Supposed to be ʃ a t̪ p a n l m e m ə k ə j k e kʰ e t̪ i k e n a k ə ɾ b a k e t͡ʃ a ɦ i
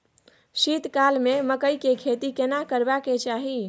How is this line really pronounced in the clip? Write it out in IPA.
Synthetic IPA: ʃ i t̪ k a l m e m ə k ə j k e kʰ e t̪ i k e n a k ə ɾ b a k e t͡ʃ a ɦ i